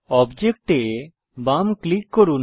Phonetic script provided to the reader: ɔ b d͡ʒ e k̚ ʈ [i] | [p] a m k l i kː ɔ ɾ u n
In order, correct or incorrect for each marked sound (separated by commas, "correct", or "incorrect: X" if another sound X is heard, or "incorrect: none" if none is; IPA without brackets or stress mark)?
incorrect: e, incorrect: b